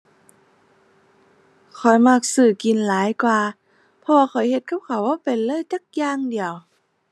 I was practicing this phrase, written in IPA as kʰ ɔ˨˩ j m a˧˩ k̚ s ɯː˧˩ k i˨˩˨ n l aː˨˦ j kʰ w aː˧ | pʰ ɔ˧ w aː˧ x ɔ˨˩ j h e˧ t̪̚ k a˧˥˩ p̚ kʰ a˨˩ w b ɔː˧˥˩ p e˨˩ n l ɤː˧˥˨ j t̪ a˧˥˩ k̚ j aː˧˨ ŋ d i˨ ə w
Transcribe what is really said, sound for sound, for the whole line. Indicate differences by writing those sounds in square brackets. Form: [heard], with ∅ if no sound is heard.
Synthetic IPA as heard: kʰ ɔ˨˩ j m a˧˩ k̚ s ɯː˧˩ k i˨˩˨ n l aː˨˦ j [k] w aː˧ | pʰ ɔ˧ w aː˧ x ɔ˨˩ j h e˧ t̪̚ k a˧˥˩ p̚ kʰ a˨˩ w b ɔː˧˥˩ p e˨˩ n l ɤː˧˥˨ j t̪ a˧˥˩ k̚ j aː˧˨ ŋ d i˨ ə w